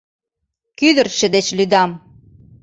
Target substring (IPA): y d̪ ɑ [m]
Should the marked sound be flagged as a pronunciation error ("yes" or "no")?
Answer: no